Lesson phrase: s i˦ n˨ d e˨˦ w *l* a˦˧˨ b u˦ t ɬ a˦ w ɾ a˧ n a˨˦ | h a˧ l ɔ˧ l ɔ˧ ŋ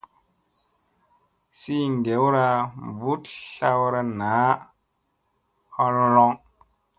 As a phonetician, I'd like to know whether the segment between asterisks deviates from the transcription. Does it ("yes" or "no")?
yes